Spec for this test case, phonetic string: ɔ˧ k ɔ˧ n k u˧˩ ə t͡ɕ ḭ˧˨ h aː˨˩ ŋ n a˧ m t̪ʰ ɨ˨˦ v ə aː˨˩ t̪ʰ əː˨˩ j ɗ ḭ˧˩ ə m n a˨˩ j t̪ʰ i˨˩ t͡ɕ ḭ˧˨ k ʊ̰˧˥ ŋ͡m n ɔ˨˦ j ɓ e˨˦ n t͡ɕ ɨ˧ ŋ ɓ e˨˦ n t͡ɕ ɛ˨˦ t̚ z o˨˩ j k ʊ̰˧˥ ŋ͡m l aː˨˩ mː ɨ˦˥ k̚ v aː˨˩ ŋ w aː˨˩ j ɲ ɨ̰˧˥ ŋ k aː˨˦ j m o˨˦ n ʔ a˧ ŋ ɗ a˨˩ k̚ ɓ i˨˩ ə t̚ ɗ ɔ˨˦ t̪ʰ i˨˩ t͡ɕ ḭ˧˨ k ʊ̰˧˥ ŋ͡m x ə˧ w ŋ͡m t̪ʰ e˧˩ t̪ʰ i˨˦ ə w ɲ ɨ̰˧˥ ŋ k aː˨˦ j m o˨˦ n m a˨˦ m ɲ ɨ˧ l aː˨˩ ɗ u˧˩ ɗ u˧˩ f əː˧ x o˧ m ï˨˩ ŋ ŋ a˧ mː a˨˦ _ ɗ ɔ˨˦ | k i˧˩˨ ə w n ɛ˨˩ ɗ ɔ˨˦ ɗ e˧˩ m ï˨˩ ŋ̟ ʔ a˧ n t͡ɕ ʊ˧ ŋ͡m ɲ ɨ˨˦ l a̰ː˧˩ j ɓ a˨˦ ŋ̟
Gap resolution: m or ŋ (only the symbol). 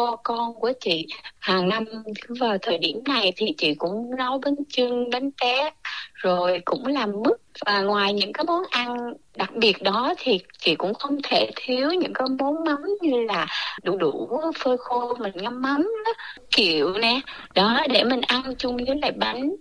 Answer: m